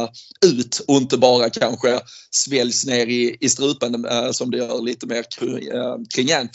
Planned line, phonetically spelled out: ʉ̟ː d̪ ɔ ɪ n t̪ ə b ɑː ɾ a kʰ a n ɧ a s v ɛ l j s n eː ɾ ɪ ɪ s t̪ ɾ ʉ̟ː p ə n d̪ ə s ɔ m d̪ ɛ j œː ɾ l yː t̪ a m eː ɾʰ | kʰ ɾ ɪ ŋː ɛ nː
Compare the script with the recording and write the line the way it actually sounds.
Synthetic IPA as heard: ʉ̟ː t̪ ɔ ɪ n t̪ ə b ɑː ɾ a kʰ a n ɧ ə s v ɛ l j s n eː ɾ ɪ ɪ s t̪ ɾ ʉ̟ː p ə n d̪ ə s ɔ m d̪ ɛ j œː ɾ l iː t̪ ə m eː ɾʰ | kʰ ɾ ɪ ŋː ɛ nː